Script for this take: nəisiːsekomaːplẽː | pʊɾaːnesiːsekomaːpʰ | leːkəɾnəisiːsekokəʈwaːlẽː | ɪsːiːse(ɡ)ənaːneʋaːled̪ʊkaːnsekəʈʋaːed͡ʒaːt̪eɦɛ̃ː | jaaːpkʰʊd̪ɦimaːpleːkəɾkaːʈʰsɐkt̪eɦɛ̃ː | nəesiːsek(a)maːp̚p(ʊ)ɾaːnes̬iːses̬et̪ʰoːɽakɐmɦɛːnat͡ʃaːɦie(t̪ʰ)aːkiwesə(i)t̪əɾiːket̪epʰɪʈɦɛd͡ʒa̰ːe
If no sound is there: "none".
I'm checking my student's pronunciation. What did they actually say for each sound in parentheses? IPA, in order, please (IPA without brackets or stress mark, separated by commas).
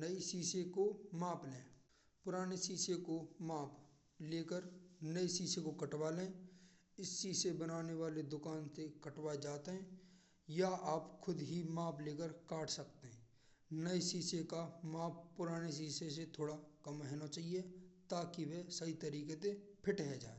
b, a, ʊ, t̪, i